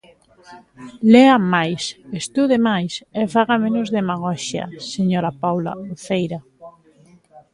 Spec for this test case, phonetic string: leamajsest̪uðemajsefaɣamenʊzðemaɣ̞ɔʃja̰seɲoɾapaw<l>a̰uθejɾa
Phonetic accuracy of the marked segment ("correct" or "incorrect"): correct